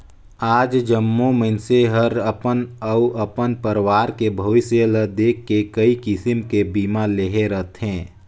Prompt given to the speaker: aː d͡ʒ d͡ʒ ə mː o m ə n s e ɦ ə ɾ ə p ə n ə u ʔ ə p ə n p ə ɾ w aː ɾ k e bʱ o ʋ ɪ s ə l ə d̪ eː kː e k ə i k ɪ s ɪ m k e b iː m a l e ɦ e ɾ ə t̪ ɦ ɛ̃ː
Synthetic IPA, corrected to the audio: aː d͡ʒ d͡ʒ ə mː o m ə n s e ɦ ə ɾ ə p ə n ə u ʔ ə p ə n p ə ɾ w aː ɾ k e bʱ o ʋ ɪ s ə l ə d̪ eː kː e k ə i k ɪ s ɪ m k e b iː m a l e ɦ e ɾ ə t̪ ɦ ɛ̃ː